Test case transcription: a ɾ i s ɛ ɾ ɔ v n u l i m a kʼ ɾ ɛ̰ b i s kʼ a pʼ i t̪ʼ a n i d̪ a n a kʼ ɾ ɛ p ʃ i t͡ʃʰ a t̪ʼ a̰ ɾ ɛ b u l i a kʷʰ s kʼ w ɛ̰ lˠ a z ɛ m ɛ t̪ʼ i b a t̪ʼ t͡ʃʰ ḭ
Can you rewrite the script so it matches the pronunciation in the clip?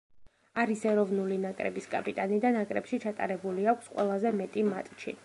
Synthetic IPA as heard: a ɾ i s ɛ ɾ ɔ v n u l i n a kʼ ɾ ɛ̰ b i s kʼ a pʼ i t̪ʼ a n i d̪ a n a kʼ ɾ ɛ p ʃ i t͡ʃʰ a t̪ʼ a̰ ɾ ɛ b u l i a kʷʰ s qʼ w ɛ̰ lˠ a z ɛ m ɛ t̪ʼ i m a t̪ʼ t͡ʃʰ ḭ